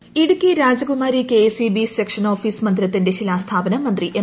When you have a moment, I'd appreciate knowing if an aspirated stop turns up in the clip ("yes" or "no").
yes